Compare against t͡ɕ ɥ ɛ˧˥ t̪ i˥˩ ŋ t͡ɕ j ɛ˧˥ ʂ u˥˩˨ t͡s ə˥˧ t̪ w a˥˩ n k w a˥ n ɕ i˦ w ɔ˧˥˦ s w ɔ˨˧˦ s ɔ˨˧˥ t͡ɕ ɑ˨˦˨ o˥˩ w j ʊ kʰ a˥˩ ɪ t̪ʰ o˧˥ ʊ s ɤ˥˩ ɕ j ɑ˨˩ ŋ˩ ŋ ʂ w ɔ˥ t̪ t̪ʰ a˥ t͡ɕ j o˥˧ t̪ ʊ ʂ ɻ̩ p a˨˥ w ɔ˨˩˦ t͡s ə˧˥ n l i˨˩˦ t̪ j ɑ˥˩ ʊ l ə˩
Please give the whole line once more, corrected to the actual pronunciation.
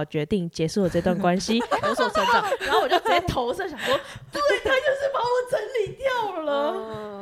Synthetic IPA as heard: t͡ɕ ɥ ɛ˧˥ t̪ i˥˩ ŋ t͡ɕ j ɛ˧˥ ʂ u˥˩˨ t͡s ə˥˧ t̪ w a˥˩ n k w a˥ n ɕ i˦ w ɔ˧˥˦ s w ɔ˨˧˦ s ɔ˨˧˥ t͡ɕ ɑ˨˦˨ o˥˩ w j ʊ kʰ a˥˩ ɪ t̪ʰ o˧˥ ʊ s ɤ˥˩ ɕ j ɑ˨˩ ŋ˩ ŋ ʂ w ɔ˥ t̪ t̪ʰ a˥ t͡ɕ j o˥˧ ʊ ʂ ɻ̩ p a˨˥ w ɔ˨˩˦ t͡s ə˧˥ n l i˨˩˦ t̪ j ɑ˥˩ ʊ l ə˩